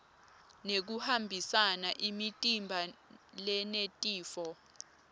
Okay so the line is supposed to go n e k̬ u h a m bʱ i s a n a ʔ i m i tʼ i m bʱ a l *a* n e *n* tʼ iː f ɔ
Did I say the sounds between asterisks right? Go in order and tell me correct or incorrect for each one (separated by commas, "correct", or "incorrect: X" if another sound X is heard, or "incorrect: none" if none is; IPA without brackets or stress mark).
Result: incorrect: ɛ, incorrect: none